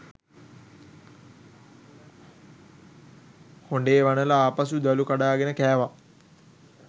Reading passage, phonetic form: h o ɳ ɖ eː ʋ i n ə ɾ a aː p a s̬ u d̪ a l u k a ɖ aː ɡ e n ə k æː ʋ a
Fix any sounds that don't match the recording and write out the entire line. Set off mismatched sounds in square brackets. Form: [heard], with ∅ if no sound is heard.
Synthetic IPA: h o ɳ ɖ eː ʋ [a] n ə [l] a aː p a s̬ u d̪ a l u k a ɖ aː ɡ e n ə k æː ʋ a